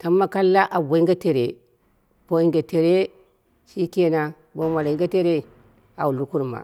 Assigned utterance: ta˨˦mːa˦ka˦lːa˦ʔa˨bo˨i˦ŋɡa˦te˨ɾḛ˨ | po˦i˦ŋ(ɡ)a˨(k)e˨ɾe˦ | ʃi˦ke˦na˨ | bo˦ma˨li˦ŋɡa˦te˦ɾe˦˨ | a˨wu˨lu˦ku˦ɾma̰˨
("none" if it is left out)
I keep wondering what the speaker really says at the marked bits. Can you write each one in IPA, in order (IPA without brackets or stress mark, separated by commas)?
ɡ, t